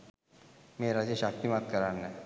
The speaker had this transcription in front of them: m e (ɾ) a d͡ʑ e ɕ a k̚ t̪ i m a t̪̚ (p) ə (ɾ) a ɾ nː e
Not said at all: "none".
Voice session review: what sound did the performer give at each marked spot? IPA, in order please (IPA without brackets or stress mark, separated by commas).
ɾ, k, ɾ